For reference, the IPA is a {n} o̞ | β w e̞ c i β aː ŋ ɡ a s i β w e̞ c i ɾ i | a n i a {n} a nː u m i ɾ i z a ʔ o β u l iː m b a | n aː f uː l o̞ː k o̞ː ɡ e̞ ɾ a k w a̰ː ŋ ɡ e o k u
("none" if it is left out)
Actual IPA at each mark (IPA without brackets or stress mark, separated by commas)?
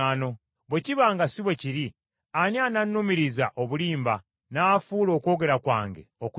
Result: n, n